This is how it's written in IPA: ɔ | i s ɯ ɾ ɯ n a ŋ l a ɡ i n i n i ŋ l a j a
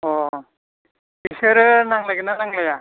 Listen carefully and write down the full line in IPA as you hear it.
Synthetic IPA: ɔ | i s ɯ ɾ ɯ n a ŋ l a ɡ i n a n a ŋ l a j a